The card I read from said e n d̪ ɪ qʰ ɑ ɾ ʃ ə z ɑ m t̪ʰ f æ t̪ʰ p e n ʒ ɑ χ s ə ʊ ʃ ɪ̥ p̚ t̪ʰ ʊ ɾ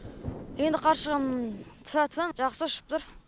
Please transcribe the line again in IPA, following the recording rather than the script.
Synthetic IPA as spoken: e n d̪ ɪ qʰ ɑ ɾ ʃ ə ʁ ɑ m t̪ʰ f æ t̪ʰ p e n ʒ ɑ χ s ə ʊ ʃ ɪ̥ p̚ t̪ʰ ʊ ɾ